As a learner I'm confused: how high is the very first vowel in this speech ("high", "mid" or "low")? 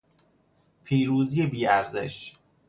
high